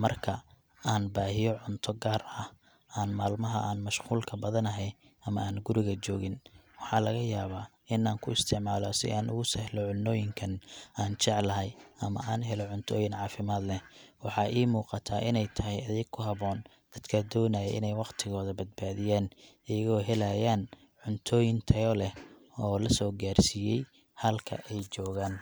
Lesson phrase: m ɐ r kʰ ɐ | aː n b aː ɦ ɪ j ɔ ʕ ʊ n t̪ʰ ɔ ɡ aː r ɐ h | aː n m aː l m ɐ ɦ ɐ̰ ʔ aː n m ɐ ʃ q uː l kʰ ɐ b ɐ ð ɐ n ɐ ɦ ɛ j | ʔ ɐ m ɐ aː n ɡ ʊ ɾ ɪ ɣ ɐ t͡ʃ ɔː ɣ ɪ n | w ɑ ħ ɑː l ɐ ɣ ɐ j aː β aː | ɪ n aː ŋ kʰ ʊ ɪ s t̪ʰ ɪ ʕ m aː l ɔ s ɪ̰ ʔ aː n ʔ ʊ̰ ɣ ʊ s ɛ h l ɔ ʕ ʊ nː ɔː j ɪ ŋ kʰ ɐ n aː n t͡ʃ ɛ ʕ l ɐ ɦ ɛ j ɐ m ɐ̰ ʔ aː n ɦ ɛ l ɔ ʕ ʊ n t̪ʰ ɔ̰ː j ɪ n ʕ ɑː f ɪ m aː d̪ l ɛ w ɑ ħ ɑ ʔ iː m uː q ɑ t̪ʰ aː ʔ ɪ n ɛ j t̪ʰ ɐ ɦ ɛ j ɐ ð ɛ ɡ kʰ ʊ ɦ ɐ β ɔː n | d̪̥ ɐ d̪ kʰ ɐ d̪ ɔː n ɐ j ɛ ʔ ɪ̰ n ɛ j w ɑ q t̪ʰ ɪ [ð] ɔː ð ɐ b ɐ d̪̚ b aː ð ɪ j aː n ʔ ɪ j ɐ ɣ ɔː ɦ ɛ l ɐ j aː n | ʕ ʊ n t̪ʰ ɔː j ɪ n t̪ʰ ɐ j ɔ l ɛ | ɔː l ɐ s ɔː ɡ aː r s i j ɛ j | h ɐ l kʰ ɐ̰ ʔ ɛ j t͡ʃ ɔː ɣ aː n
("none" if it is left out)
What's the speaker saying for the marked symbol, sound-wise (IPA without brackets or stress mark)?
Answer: ɣ